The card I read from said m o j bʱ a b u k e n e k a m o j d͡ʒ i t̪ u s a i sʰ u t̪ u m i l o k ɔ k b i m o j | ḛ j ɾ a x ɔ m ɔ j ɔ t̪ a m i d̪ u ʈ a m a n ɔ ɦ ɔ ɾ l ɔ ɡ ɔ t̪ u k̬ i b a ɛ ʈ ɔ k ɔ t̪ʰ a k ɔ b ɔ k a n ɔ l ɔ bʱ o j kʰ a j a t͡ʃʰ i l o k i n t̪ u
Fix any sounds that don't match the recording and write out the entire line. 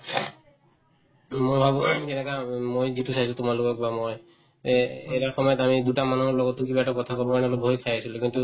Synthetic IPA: m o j bʱ a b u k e n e k a m o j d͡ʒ i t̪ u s a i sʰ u t̪ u m a l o k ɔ k b a m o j | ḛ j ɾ a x ɔ m ɔ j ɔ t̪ a m i d̪ u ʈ a m a n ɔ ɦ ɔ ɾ l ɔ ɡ ɔ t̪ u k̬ i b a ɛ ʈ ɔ k ɔ t̪ʰ a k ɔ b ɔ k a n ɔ l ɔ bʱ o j kʰ a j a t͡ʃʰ i l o k i n t̪ u